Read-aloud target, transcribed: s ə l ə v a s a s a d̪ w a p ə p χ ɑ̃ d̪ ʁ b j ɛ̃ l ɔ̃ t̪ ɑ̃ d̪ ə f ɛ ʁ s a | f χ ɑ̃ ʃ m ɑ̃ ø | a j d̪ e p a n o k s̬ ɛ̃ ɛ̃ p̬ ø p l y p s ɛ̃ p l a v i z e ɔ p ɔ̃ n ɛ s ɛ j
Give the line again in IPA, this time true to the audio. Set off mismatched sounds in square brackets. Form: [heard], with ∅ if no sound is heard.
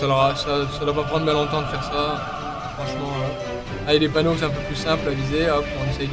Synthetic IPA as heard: s [a] l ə [ʁ] a s a s a d̪ w a p [a] p χ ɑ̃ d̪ ʁ b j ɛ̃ l ɔ̃ t̪ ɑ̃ d̪ ə f ɛ ʁ s a | f χ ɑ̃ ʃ m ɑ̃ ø | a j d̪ e p a n o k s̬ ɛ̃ ɛ̃ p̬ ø p l y [∅] s ɛ̃ p l a v i z e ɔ p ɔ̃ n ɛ s ɛ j

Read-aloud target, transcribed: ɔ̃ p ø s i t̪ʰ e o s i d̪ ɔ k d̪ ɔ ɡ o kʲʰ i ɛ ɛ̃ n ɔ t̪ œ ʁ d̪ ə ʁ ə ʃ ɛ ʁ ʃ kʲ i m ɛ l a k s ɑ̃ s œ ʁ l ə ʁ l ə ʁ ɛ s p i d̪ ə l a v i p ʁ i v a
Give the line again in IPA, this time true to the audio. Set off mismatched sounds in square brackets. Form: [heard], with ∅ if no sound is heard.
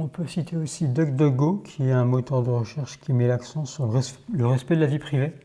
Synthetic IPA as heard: ɔ̃ p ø s i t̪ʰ e o s i d̪ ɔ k d̪ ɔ ɡ o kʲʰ i ɛ ɛ̃ [m] ɔ t̪ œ ʁ d̪ ə ʁ ə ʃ ɛ ʁ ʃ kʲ i m ɛ l a k s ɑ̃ s [y] ʁ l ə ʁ l ə ʁ ɛ s p [ɛ] d̪ ə l a v i p [χ] i v [e]

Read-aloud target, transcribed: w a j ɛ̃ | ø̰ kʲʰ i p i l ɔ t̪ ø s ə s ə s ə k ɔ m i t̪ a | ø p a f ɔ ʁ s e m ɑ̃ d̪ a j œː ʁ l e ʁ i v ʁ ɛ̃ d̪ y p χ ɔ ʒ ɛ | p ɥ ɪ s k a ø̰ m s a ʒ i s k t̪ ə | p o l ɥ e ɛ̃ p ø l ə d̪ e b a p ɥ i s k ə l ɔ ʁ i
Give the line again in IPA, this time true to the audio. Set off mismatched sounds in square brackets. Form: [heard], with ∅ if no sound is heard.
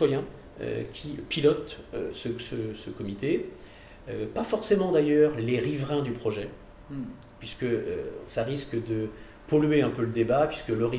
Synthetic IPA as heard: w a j ɛ̃ | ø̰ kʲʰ i p i l ɔ t̪ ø s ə s ə s ə k ɔ m i t̪ [e] | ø p a f ɔ ʁ s e m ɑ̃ d̪ a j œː ʁ l e ʁ i v ʁ ɛ̃ d̪ y p χ ɔ ʒ ɛ | p ɥ [i] s k [ə] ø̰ [∅] s a [ʁ] i s k [d̪] ə | p [ɔ] l ɥ e ɛ̃ p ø l ə d̪ e b a p ɥ i s k ə l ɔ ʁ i

